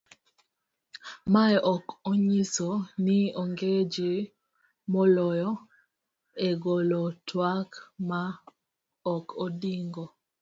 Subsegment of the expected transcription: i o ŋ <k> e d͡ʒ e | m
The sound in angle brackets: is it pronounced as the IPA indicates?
no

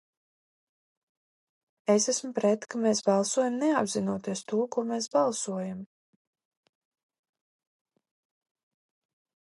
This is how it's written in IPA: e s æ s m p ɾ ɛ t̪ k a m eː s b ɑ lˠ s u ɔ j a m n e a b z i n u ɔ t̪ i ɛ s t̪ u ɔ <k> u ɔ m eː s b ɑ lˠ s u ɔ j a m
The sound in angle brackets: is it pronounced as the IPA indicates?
yes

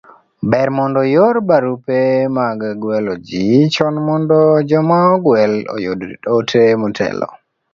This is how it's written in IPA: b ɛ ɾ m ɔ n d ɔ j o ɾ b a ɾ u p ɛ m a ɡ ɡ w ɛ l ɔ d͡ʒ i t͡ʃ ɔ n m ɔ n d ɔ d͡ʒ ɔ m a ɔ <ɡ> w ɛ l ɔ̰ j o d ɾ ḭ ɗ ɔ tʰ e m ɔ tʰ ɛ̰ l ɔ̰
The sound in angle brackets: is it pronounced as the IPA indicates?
yes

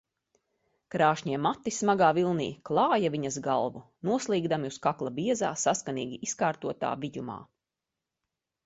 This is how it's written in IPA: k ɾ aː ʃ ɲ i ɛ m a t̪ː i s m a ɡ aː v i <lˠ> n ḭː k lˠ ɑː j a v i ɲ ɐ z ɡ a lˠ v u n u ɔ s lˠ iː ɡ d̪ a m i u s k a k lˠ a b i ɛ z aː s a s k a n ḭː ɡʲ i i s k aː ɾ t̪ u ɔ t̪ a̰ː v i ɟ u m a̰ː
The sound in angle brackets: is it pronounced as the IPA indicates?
yes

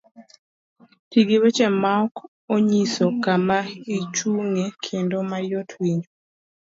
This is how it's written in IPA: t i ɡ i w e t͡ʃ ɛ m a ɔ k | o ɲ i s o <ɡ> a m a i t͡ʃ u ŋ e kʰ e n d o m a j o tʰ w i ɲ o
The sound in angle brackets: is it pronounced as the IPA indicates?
no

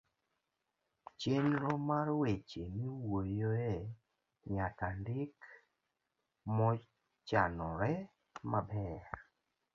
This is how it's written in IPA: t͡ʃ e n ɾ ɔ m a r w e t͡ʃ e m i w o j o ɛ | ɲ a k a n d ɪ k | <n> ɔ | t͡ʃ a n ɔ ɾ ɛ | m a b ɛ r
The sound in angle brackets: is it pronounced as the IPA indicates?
no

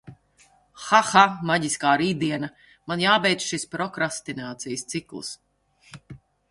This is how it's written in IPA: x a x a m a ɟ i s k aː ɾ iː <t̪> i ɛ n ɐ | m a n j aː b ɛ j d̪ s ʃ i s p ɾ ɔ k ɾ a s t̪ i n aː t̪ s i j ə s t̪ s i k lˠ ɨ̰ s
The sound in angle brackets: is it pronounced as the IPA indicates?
no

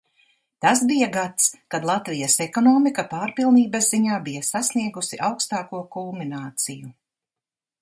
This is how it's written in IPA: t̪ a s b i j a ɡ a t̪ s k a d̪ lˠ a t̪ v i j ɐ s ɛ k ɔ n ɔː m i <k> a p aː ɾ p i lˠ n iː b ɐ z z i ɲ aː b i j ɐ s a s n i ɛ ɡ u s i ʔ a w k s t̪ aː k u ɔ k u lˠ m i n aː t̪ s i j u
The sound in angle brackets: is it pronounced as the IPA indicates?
yes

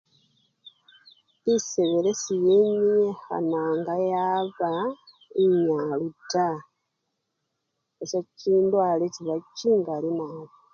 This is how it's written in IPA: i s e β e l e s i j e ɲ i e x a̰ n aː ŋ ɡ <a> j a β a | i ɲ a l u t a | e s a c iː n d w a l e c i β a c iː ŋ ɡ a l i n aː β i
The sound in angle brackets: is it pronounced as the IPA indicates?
yes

